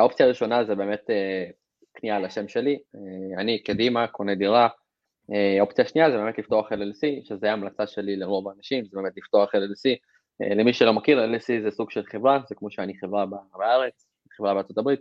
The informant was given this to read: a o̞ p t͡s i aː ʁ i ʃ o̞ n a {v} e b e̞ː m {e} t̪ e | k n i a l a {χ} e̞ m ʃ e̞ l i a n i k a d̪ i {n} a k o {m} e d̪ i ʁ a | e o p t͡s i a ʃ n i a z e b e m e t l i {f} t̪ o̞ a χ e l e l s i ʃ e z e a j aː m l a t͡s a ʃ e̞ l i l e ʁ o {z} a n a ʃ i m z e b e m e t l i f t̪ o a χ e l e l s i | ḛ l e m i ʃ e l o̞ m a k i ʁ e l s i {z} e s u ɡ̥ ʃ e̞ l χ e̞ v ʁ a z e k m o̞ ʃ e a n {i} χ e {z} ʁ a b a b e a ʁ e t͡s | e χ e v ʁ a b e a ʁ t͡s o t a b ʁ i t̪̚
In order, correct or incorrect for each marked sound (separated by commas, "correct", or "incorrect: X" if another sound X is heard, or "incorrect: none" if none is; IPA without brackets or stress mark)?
incorrect: z, correct, incorrect: ʃ, incorrect: m, incorrect: n, correct, incorrect: v, correct, correct, incorrect: v